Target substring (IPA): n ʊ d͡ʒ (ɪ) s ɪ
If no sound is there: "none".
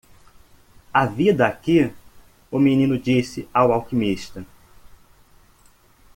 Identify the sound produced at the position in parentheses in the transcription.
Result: i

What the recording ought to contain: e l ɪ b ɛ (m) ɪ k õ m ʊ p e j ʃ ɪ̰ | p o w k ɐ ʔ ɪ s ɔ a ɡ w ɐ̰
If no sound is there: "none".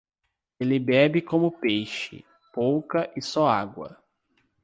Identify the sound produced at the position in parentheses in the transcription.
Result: b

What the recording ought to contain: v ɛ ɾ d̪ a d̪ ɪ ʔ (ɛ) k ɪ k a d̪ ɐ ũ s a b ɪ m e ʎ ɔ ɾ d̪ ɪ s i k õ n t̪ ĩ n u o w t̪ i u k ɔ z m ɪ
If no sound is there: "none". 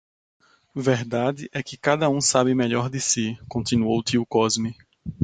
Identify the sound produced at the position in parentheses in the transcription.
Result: ɛ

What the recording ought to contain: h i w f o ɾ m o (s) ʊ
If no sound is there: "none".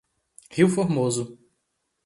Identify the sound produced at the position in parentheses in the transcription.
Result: z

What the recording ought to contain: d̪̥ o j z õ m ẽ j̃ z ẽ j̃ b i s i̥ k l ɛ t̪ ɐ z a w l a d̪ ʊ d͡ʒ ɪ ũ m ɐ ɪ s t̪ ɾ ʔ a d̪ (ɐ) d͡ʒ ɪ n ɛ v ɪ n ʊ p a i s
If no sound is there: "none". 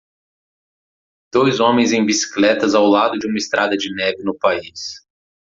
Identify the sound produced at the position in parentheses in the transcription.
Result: ɐ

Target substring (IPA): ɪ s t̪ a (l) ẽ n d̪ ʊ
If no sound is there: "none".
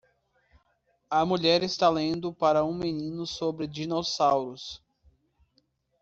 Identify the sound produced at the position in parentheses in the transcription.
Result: l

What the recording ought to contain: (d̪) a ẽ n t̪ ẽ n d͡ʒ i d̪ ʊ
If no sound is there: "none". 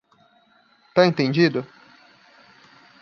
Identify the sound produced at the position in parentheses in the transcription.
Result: t̪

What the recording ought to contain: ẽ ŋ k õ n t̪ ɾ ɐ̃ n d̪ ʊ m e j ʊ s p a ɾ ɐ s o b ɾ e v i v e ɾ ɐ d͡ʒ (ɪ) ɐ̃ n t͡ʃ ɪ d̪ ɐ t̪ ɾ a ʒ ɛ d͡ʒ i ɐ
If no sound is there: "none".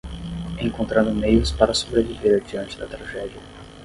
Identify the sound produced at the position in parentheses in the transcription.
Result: i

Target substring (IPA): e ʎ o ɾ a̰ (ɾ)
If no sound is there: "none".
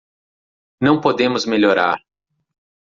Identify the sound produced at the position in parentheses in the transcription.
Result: ɾ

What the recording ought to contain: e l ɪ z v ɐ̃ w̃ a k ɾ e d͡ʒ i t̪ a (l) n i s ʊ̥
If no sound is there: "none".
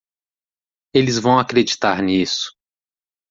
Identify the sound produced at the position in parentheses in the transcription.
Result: ɾ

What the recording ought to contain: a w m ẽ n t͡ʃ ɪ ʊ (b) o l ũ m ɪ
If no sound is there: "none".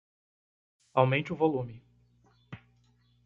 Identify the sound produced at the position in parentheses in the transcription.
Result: v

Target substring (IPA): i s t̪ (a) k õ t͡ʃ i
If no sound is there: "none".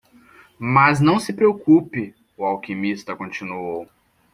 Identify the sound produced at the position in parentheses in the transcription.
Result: ɐ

